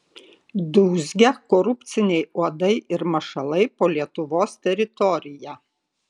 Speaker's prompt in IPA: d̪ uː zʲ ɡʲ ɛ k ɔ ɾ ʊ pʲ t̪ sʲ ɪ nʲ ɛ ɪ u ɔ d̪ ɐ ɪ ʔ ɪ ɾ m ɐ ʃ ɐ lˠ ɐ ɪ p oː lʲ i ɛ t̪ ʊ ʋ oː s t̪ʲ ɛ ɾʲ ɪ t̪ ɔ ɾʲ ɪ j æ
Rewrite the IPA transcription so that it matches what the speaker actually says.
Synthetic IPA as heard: d̪ uː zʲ ɡʲ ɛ k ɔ ɾ ʊ pʲ t̪ sʲ ɪ nʲ ɛ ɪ u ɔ d̪ ɐ ɪ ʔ ɪ ɾ m ɐ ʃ ɐ lˠ ɐ ɪ p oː lʲ i ɛ t̪ ʊ ʋ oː s t̪ʲ ɛ ɾʲ ɪ t̪ ɔ ɾʲ ɪ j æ

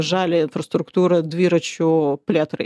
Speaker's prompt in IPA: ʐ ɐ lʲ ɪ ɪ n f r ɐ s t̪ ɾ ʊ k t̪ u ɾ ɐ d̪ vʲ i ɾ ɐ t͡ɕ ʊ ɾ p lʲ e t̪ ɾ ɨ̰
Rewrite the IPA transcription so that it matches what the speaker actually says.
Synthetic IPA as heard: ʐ a lʲ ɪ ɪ n f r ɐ s t̪ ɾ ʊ k t̪ u ɾ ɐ d̪ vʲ i ɾ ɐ t͡ɕ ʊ p lʲ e t̪ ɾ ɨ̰

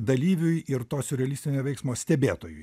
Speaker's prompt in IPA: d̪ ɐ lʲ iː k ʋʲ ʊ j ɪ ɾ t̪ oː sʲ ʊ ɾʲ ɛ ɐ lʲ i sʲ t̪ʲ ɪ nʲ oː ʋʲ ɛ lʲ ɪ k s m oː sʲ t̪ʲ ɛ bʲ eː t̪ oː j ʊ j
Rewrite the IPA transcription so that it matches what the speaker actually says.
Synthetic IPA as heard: d̪ ɐ lʲ iː ʋʲ ʊ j ɪ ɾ t̪ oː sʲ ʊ ɾʲ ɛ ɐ lʲ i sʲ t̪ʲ ɪ nʲ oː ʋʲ ɛ ɪ k s m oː sʲ t̪ʲ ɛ bʲ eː t̪ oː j ʊ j

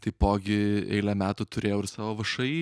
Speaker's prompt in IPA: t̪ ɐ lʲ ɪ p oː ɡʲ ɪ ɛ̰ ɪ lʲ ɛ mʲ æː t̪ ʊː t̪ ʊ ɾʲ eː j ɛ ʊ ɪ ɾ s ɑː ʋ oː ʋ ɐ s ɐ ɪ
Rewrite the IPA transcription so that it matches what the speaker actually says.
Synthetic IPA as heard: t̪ ɐ ɪ p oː ɡʲ ɪ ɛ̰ ɪ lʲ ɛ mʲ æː t̪ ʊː t̪ ʊ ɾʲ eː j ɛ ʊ ɪ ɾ s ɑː ʋ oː ʋ ɐ ʃ ɐ ɪ

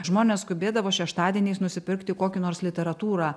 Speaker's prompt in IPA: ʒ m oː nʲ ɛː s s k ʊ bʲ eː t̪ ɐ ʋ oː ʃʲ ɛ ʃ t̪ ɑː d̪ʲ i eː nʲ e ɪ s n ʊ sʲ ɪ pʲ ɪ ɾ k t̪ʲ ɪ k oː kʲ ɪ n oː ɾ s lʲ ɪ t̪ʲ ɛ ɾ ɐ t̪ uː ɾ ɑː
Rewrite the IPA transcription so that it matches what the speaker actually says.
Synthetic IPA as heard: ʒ m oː nʲ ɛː s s k ʊ bʲ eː d̪ ɐ ʋ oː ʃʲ ɛ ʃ t̪ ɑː d̪ʲ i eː nʲ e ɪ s n ʊ sʲ ɪ pʲ ɪ ɾ k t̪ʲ ɪ k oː kʲ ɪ n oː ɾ s lʲ ɪ t̪ʲ ɛ ɾ ɐ t̪ uː ɾ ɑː

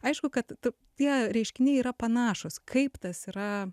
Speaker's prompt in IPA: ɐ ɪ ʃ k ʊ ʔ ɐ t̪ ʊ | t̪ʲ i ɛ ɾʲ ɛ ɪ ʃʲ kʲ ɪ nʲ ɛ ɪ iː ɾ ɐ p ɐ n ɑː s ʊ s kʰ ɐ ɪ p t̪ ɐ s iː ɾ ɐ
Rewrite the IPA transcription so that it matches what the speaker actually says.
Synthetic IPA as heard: ɐ ɪ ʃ k ʊ k ɐ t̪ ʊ | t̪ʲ i ɛ ɾʲ ɛ ɪ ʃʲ kʲ ɪ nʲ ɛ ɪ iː ɾ ɐ p ɐ n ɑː ʃ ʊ s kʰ ɐ ɪ p t̪ ɐ s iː ɾ ɐ

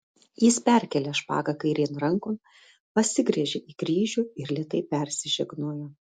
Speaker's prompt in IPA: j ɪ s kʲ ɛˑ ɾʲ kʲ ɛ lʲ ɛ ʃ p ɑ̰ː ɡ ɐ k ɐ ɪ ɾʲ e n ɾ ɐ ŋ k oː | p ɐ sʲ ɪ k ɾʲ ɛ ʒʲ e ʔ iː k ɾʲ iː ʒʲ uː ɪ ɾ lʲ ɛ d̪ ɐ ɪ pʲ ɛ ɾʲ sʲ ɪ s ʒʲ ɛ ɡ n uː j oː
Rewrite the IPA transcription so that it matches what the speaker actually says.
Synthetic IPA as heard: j ɪ s pʲ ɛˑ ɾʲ kʲ ɛ lʲ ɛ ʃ p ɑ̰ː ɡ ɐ k ɐ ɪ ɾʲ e n ɾ ɐ ŋ k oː | p ɐ sʲ ɪ ɡ ɾʲ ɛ ʒʲ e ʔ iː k ɾʲ iː ʒʲ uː ɪ ɾ lʲ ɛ t̪ ɐ ɪ pʲ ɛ ɾʲ sʲ ɪ ʒʲ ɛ ɡ n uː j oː

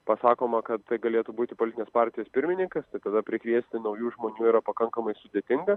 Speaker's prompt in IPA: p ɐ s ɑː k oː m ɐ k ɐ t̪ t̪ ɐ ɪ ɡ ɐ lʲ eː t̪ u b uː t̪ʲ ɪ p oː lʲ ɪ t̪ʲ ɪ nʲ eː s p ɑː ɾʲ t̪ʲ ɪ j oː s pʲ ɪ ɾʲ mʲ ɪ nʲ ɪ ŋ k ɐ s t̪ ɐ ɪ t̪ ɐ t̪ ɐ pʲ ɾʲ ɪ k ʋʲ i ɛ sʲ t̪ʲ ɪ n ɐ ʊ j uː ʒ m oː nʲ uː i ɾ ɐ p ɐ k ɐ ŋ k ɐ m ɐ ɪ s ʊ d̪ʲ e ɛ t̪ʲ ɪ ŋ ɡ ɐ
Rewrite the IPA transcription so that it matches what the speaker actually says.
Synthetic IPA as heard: p ɐ s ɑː k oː m ɐ k ɐ t̪ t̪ ɐ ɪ ɡ ɐ lʲ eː t̪ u b uː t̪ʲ ɪ p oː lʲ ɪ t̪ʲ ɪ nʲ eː s p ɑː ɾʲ t̪ʲ ɪ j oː s pʲ ɪ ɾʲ mʲ ɪ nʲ ɪ ŋ k ɐ s t̪ ɐ ɪ t̪ ɐ d̪ ɐ pʲ ɾʲ ɪ k ʋʲ i ɛ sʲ t̪ʲ ɪ n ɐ ʊ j uː ʒ m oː nʲ uː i ɾ ɐ p ɐ k ɐ ŋ k ɐ m ɐ ɪ s ʊ d̪ʲ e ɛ t̪ʲ ɪ ŋ ɡ ɐ

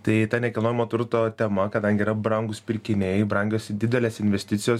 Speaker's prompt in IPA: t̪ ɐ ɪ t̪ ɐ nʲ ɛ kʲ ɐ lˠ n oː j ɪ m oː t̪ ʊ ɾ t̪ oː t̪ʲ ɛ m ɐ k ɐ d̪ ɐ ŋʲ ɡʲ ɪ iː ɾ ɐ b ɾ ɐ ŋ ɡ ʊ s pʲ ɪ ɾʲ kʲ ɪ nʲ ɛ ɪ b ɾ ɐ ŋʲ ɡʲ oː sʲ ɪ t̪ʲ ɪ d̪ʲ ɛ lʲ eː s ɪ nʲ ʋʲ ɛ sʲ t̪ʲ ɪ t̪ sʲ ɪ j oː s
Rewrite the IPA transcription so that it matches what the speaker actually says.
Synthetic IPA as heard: t̪ ɐ ɪ t̪ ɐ nʲ ɛ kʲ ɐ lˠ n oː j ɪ m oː t̪ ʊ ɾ t̪ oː t̪ʲ ɛ m ɐ k ɐ d̪ ɐ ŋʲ ɡʲ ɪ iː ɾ ɐ b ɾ ɐ ŋ ɡ ʊ s pʲ ɪ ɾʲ kʲ ɪ nʲ ɛ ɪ b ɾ ɐ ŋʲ ɡʲ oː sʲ ɪ d̪ʲ ɪ d̪ʲ ɛ lʲ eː s ɪ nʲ ʋʲ ɛ sʲ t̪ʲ ɪ t̪ sʲ ɪ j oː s

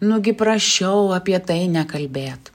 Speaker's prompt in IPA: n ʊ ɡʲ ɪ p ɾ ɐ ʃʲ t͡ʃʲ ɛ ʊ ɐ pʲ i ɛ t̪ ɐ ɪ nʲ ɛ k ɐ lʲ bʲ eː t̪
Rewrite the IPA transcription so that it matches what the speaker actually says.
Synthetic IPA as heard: n ʊ ɡʲ ɪ p ɾ ɐ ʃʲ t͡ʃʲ ɛ ʊ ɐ pʲ i ɛ t̪ ɐ ɪ nʲ ɛ k ɐ lʲ bʲ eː t̪

